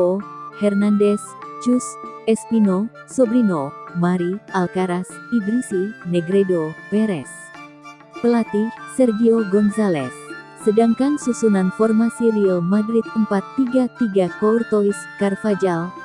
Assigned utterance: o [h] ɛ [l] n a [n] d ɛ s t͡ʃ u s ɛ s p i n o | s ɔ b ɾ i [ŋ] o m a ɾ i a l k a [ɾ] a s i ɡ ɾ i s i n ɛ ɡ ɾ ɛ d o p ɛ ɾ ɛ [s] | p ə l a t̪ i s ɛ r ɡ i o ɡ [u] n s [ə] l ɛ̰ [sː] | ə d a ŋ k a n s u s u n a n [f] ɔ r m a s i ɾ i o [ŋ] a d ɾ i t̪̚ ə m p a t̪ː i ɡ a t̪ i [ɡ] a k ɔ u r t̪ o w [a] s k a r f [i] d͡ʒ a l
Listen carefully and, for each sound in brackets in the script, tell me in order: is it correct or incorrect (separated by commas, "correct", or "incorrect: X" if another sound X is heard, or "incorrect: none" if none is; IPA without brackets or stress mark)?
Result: correct, incorrect: r, correct, incorrect: n, correct, correct, incorrect: ɔ, incorrect: a, correct, correct, incorrect: m, correct, incorrect: i, incorrect: a